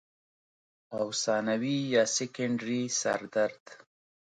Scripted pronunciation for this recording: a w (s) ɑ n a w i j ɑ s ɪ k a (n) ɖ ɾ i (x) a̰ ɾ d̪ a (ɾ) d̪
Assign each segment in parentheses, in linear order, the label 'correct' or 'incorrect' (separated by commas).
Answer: correct, incorrect, incorrect, correct